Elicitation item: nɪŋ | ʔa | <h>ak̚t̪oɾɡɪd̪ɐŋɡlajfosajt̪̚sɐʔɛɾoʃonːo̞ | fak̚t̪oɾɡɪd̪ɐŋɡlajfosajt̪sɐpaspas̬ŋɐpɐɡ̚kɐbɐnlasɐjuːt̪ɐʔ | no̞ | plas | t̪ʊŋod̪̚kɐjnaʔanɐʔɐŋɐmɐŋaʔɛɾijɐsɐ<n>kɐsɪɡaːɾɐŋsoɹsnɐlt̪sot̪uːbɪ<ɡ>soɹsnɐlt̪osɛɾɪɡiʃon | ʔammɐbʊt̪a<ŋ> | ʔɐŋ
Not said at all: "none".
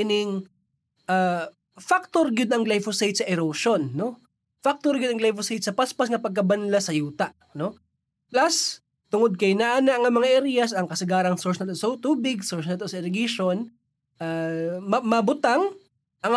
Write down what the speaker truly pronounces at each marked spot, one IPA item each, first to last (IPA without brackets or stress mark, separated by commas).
f, ŋ, ɡ, ŋ